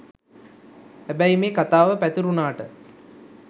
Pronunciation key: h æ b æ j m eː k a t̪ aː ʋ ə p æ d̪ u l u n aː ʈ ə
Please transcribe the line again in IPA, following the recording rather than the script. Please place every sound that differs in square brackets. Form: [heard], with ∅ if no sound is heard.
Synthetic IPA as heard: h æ b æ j m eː k a t̪ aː ʋ ə p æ [t̪] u [ɾ] u n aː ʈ ə